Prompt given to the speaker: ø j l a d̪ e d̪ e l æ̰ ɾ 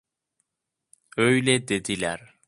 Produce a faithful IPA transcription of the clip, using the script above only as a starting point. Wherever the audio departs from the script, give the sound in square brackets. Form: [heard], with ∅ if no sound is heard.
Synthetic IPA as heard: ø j l [e] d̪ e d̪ [i] l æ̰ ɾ